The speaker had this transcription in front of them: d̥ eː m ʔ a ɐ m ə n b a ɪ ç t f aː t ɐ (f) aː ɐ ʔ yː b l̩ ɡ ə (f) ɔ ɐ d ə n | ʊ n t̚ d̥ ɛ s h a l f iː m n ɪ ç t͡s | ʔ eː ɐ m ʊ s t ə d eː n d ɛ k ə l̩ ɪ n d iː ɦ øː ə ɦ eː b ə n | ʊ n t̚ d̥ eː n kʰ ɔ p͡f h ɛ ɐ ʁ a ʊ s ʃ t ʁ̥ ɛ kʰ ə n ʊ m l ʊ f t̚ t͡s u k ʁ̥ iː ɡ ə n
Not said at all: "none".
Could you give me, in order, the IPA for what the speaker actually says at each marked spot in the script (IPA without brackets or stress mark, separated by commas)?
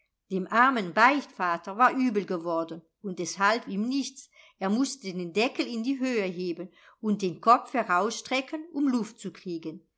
v, v